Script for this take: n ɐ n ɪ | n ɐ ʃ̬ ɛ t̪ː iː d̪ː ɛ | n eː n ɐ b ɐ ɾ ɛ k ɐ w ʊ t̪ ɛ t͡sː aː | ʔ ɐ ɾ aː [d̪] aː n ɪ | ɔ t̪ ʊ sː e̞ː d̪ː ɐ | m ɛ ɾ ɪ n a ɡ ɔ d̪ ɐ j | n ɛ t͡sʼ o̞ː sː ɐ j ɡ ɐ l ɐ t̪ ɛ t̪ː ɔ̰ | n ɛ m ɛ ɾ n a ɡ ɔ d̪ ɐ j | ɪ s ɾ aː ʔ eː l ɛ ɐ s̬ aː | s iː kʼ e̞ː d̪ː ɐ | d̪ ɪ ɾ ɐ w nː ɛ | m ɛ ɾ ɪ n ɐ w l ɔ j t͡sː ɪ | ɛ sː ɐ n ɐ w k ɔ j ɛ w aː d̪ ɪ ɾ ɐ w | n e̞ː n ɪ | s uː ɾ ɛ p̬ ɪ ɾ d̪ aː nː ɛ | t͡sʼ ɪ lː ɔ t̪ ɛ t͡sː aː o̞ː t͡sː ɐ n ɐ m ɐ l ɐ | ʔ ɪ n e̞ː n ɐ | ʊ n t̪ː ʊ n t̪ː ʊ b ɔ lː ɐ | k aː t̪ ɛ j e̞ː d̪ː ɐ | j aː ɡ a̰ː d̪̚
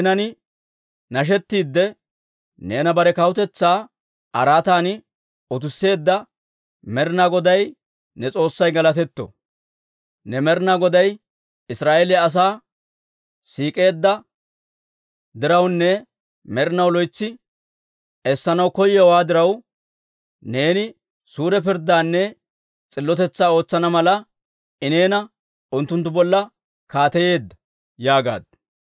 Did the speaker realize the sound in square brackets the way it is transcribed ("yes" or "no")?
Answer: no